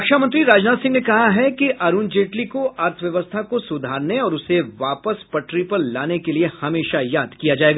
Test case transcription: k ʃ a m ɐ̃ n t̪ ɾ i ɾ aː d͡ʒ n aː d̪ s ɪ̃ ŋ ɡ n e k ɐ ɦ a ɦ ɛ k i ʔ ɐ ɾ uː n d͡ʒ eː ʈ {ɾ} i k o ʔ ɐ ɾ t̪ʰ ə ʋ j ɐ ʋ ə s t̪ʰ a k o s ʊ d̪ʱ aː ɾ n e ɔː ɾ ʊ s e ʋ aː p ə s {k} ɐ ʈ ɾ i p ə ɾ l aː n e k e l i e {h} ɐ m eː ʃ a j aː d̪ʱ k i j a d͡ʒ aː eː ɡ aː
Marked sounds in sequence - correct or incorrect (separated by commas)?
incorrect, incorrect, correct